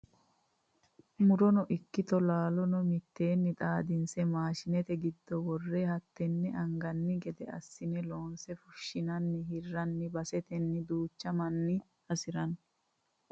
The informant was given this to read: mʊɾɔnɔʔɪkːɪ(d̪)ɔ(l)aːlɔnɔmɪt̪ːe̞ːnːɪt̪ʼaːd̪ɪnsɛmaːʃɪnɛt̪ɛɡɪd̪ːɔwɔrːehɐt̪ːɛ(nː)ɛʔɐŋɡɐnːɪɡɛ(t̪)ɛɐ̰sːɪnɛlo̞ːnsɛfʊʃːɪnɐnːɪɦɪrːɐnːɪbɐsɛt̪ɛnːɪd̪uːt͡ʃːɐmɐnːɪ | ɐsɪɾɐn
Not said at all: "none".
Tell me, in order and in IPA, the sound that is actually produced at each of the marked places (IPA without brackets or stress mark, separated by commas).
t̪, l, nː, d̪